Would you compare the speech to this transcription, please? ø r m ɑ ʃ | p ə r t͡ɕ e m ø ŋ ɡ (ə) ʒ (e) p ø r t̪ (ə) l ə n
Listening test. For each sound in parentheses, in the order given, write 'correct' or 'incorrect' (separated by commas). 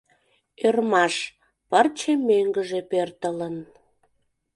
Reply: correct, correct, correct